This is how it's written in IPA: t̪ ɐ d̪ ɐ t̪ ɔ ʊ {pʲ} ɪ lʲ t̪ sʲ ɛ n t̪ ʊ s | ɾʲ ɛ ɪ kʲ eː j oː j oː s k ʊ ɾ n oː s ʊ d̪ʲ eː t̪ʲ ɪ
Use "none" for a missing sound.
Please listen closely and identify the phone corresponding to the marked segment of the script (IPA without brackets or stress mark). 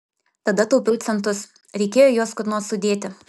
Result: pʲ